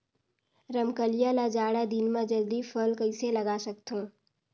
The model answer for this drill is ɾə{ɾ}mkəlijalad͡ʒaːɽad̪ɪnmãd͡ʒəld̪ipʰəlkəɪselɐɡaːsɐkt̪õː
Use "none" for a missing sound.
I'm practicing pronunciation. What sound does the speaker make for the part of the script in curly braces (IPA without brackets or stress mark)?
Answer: none